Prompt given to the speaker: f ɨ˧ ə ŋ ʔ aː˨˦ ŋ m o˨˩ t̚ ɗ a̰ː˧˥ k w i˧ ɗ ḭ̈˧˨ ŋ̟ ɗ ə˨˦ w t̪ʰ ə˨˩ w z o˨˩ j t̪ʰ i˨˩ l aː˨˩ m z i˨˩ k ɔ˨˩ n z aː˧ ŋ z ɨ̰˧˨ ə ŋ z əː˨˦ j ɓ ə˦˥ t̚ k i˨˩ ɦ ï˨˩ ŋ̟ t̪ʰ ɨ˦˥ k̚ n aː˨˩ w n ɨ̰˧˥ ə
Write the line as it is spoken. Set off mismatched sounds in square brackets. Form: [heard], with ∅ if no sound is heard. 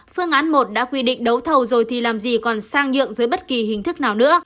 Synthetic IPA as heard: f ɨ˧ ə ŋ ʔ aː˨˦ [n] m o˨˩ t̚ ɗ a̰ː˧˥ k w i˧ ɗ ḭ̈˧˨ ŋ̟ ɗ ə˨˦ w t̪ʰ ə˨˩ w z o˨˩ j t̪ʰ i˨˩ l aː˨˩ m z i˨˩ k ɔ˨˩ n [s] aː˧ ŋ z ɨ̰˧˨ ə ŋ z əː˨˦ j ɓ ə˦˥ t̚ k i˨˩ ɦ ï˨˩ ŋ̟ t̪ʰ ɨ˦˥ k̚ n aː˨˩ w n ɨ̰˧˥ ə